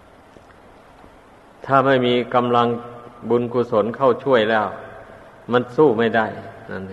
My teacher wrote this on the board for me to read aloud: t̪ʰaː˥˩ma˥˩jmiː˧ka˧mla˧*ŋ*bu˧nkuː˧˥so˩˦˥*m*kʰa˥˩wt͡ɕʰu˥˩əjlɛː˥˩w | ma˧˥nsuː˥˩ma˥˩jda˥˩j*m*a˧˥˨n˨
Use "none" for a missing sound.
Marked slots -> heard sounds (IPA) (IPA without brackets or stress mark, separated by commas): ŋ, n, n